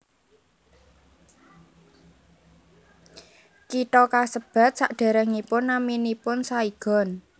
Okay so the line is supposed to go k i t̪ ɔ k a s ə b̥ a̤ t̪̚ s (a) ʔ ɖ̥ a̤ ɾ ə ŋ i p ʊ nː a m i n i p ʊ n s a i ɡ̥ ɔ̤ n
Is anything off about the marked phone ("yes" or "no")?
no